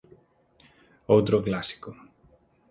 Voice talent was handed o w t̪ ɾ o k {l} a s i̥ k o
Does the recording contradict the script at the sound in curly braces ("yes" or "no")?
no